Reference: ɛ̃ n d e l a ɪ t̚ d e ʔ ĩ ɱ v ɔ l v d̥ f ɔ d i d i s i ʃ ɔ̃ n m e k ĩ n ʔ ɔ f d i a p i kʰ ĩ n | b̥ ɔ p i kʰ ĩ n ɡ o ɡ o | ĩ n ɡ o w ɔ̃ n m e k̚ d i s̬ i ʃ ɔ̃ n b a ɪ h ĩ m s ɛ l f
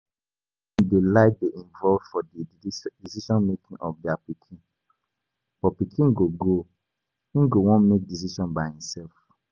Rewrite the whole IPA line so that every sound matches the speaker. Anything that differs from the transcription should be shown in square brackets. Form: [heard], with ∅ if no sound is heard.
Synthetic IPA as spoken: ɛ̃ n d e l a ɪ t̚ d e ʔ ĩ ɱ v ɔ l v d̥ f ɔ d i d i s i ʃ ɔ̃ n m e k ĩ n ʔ ɔ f d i a p i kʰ ĩ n | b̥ ɔ p i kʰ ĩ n ɡ o ɡ o | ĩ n ɡ o w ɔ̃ n m e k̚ d i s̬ i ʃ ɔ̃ n b a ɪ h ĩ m s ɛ l f